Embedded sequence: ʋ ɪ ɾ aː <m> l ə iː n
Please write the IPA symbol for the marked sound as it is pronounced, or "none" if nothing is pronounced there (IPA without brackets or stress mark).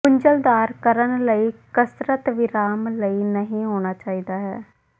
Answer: m